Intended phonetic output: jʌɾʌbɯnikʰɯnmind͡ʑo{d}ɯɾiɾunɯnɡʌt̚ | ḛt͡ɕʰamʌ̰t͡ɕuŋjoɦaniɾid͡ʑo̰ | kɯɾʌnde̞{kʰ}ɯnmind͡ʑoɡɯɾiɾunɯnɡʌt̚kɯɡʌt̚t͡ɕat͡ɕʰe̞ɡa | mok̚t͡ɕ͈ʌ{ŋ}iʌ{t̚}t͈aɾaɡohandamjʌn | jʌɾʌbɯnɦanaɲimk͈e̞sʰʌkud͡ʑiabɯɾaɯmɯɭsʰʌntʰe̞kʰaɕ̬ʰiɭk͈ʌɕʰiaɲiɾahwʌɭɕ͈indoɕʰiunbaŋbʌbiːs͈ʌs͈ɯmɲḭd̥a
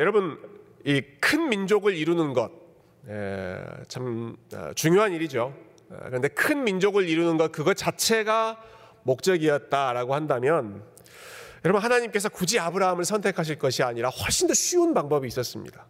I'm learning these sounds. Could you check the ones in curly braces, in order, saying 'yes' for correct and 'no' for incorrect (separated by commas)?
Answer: no, yes, no, yes